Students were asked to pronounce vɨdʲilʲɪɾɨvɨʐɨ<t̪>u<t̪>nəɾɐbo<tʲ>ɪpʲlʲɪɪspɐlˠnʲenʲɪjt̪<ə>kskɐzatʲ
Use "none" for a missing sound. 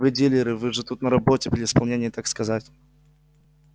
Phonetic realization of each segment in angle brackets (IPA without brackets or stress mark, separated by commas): t̪, t̪, tʲ, a